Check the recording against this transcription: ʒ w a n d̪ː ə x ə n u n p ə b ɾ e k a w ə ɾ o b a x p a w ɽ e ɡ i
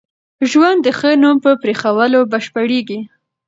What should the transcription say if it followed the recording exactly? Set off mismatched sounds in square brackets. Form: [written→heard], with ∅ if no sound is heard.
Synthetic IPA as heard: ʒ w a n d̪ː ə x ə n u [n→m] p ə [b→p] ɾ e [k→x] a w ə [ɾ→l] o b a [x→ʃ] p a [w→∅] ɽ e ɡ i